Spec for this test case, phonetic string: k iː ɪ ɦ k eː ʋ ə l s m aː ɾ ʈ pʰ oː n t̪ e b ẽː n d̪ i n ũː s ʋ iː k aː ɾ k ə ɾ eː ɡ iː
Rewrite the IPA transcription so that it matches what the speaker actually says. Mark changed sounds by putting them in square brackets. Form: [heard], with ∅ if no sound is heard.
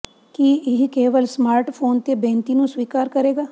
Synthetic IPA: k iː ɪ ɦ k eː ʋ ə l s m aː ɾ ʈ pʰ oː n t̪ e b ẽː n [t̪] i n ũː s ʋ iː k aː ɾ k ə ɾ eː ɡ [aː]